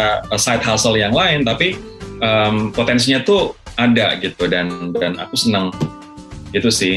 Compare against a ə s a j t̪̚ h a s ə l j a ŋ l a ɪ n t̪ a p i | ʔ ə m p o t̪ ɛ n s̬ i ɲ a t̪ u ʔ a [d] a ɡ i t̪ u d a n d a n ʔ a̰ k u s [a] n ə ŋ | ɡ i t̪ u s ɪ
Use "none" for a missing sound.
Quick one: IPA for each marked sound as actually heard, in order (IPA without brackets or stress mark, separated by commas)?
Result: d, ə